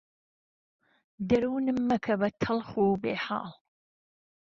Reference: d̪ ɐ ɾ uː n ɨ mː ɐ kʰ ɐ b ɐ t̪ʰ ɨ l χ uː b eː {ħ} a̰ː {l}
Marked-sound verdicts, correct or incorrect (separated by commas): correct, correct